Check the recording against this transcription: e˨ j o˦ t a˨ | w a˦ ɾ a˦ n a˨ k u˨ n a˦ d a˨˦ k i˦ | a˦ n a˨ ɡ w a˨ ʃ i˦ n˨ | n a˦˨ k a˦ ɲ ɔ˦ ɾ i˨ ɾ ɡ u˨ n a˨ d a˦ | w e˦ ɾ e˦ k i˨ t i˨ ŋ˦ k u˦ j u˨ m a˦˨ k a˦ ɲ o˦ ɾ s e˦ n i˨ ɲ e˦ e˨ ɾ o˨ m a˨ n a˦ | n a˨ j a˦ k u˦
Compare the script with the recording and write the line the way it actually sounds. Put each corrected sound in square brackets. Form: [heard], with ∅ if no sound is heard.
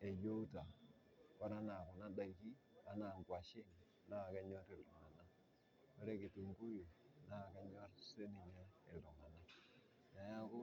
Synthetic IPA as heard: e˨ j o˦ t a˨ | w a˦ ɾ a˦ n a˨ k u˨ n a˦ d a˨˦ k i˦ | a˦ n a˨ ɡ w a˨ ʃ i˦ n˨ | n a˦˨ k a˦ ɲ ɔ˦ ɾ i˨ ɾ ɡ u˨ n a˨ [n] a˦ | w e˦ ɾ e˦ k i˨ t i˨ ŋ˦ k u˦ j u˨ [n] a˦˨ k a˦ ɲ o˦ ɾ s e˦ n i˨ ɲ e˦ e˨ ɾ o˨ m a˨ n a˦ | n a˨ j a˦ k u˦